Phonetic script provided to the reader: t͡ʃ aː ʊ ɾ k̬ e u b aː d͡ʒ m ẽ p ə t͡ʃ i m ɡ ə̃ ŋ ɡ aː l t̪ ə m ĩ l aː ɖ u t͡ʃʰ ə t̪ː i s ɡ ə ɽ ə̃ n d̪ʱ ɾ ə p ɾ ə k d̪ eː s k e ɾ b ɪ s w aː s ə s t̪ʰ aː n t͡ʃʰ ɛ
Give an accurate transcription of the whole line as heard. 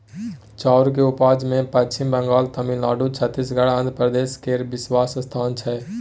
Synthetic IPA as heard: t͡ʃ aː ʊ ɾ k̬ e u p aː d͡ʒ m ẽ p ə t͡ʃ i m b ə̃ ŋ ɡ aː l t̪ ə m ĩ l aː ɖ u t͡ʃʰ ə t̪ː i s ɡ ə ɽ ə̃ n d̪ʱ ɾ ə p ɾ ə d̪ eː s k e ɾ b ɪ s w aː s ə s t̪ʰ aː n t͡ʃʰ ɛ